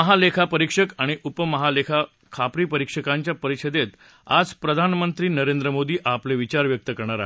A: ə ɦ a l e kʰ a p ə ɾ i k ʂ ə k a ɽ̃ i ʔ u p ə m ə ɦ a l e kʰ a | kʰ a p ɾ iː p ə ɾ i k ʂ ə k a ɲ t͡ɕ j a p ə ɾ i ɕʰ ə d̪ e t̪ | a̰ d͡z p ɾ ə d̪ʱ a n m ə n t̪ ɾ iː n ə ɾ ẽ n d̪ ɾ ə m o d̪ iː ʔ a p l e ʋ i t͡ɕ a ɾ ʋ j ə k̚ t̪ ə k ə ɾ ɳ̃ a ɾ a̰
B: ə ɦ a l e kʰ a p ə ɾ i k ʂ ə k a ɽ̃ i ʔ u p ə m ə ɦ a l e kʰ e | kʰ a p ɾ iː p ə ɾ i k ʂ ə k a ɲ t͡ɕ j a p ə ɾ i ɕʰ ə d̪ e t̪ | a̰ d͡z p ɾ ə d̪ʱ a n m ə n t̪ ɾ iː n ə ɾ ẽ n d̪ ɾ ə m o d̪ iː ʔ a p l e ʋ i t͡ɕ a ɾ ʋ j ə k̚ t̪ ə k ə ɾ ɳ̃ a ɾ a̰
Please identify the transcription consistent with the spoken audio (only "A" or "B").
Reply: A